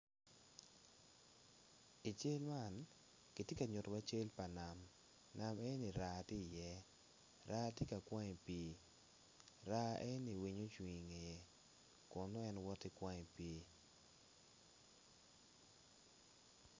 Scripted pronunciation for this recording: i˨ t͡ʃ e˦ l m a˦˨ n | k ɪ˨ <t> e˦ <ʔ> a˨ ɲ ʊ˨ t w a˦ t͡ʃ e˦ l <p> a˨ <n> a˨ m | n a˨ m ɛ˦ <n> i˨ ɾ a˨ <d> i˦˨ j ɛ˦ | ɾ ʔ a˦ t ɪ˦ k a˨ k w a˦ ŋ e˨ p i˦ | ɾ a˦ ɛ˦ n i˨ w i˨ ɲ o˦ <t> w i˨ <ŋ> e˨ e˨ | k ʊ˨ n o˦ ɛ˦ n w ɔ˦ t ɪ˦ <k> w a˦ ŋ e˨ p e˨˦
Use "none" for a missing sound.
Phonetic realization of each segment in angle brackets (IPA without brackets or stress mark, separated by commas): t, k, p, n, n, t, t͡ʃ, ŋ, k